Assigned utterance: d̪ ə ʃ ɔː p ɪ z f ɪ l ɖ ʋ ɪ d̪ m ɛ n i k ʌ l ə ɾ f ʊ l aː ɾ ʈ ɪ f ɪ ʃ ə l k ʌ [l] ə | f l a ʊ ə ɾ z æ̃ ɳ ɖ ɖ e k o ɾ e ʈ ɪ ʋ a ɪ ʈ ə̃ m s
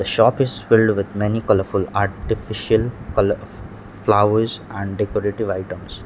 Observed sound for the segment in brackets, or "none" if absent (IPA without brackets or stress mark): l